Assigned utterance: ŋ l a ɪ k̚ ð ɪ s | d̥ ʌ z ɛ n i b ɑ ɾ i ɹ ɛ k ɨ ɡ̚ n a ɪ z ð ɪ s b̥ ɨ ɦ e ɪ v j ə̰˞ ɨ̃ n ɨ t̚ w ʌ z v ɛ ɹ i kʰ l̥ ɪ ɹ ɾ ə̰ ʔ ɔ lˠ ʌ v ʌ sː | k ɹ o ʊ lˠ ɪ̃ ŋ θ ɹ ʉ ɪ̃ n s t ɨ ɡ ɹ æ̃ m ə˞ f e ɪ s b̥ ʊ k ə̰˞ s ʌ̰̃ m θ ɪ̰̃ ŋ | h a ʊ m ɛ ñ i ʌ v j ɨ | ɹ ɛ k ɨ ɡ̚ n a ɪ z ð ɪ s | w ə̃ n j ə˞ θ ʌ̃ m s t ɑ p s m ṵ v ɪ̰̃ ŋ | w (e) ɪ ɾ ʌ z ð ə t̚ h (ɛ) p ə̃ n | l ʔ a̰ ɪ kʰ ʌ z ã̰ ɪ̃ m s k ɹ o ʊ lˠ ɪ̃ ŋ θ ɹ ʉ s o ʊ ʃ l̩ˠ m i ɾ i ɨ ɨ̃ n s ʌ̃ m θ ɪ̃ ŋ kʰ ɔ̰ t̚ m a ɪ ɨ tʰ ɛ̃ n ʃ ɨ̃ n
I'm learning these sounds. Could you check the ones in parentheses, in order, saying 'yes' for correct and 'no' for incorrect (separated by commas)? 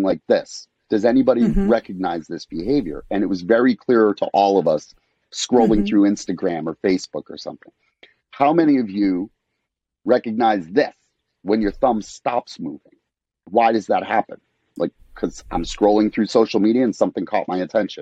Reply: no, no